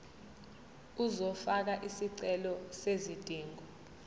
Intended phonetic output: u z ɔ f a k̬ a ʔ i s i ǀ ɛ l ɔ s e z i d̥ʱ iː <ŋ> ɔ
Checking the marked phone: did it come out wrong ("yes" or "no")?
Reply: no